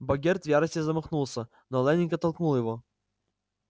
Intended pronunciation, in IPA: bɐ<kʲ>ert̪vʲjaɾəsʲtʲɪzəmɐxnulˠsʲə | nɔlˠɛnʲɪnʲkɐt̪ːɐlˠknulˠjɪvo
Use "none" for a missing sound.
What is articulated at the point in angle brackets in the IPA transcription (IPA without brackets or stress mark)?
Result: ɡʲ